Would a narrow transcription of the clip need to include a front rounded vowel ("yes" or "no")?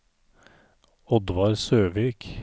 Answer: yes